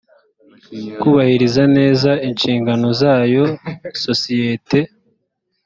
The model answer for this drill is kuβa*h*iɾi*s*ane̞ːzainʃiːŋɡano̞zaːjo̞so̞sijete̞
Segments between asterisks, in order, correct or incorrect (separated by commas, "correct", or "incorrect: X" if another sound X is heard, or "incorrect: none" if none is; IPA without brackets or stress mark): correct, incorrect: z